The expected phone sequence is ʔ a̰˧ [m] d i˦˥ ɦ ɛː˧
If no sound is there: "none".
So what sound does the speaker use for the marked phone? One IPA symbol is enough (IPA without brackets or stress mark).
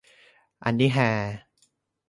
n